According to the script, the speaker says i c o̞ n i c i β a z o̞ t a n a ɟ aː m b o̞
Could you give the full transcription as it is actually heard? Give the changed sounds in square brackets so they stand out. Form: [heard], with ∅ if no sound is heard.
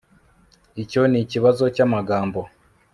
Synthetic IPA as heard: i c o̞ n i c i β a z o̞ [c] a [m] a [ɡ] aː m b o̞